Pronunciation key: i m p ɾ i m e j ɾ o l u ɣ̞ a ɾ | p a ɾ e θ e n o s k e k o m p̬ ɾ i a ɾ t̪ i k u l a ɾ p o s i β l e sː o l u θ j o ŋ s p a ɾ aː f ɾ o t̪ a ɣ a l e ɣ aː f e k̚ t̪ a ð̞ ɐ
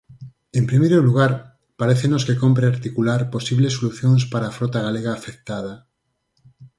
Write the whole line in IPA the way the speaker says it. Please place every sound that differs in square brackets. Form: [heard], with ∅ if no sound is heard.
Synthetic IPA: [e] m p ɾ i m e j ɾ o l u ɣ̞ a ɾ | p a ɾ e θ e n o s k e k o m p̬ ɾ [e] a ɾ t̪ i k u l a ɾ p o s i β l e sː o l u θ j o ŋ s p a ɾ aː f ɾ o t̪ a ɣ a l e ɣ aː f e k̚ t̪ a ð̞ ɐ

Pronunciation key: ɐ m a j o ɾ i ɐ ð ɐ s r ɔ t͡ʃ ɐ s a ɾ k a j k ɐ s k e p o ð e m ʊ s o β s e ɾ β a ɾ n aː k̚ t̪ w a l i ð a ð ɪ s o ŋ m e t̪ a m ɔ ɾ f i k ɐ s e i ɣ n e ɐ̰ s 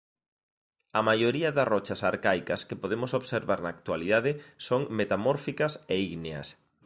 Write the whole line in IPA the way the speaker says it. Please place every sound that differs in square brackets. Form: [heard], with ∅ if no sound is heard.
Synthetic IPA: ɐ m a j o ɾ i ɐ ð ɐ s r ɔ t͡ʃ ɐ s a ɾ k a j k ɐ s k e p o ð e m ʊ s o β s e ɾ β a ɾ n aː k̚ t̪ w a l i ð a ð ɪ s o ŋ m e t̪ a m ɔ ɾ f i k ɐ s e i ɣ n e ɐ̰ s

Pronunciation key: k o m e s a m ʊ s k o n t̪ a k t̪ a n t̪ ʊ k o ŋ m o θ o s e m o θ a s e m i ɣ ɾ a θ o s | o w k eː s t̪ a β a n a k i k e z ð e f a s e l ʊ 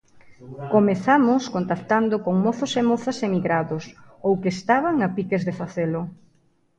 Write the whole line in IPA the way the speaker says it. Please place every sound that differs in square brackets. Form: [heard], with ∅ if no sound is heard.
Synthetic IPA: k o m e [θ] a m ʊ s k o n t̪ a k t̪ a n [d̪] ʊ k o ŋ m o θ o s e m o θ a s e m i ɣ ɾ a [ð] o s | o w k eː s t̪ a β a [ŋ] a [p] i k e z ð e f a [θ] e l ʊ

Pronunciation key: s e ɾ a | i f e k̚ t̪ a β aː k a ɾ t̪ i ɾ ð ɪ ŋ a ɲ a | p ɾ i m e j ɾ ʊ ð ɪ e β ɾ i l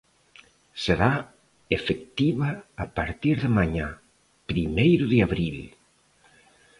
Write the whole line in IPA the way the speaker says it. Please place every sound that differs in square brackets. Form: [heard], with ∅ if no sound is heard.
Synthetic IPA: s e ɾ a | [e] f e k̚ t̪ [i] β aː [p] a ɾ t̪ i ɾ ð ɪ [m] a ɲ a | p ɾ i m e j ɾ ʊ ð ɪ [a] β ɾ i l

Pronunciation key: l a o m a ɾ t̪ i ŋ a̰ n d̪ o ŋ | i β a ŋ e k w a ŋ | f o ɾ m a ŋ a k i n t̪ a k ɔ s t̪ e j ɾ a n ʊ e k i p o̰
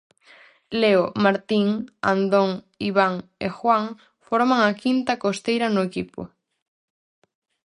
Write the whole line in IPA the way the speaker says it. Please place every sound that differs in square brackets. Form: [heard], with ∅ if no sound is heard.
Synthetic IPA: l [e] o m a ɾ t̪ i ŋ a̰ n d̪ o ŋ | i β a ŋ e [x] w a ŋ | f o ɾ m a ŋ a k i n t̪ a k [o] s t̪ e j ɾ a n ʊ e k i p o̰

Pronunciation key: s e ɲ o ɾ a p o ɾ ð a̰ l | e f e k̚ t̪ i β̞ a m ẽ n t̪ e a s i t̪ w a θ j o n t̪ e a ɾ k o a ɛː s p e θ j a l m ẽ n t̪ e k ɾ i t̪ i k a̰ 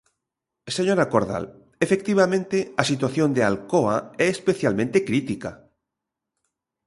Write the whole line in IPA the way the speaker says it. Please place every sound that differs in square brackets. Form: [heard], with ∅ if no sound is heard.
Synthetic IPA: s e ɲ o ɾ a [k] o ɾ ð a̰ l | e f e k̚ t̪ i β̞ a m ẽ n t̪ e a s i t̪ w a θ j o n [d̪] e a [l] k o a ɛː s p e θ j a l m ẽ n t̪ e k ɾ i t̪ i k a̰

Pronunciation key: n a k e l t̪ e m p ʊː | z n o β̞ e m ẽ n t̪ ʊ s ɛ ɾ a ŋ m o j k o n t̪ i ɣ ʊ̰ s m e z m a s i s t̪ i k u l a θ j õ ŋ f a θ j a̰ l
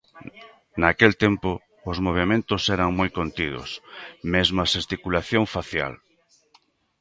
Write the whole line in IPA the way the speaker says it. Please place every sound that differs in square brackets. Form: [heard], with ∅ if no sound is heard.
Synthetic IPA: n a k e l t̪ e m p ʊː | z [m] o β̞ e m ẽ n t̪ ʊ s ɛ ɾ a ŋ m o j k o n t̪ i [ð] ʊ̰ s m e z m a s [e] s t̪ i k u l a θ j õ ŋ f a θ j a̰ l

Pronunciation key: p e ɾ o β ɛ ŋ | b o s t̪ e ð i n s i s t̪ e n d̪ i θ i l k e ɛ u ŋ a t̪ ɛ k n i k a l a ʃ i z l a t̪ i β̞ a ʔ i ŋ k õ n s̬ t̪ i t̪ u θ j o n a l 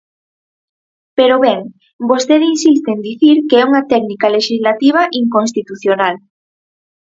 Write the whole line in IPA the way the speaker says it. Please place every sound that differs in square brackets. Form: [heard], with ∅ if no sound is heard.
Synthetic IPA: p e ɾ o β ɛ ŋ | b o s t̪ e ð i n s i s t̪ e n d̪ i θ i [ɾ] k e ɛ u ŋ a t̪ ɛ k n i k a l [e] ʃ i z l a t̪ i β̞ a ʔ i ŋ k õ n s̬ t̪ i t̪ u θ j o n a l

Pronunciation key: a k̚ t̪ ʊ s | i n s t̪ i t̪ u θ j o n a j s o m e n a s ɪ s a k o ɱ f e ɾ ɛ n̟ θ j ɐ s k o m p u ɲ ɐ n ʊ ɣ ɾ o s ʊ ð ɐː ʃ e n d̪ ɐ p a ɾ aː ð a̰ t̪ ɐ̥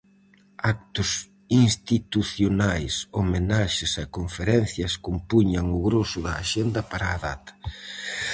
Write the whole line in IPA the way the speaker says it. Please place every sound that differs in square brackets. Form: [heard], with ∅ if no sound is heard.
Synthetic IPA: a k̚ t̪ ʊ s | i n s t̪ i t̪ u θ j o n a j s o m e n a [ʃ] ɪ s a k o ɱ f e ɾ ɛ n̟ θ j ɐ s k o m p u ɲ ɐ [ŋ] ʊ ɣ ɾ o s ʊ ð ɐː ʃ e n d̪ ɐ p a ɾ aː ð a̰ t̪ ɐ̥

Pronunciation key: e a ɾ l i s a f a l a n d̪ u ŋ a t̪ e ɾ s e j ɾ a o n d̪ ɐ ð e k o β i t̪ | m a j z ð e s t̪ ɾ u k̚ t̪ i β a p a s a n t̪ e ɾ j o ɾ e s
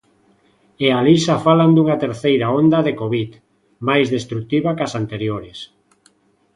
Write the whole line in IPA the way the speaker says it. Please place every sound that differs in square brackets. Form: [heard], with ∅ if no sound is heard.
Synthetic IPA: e a [∅] l i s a f a l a n d̪ u ŋ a t̪ e ɾ [θ] e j ɾ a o n d̪ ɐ ð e k o β i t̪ | m a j z ð e s t̪ ɾ u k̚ t̪ i β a [k] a s a n t̪ e ɾ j o ɾ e s

